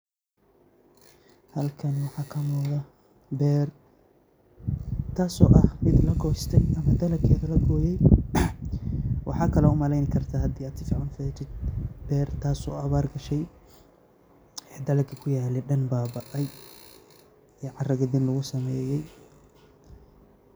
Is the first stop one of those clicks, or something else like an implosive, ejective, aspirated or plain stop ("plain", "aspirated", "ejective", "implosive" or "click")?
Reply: aspirated